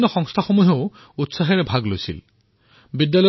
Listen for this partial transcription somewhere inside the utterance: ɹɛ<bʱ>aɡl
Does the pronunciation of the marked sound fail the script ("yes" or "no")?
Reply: no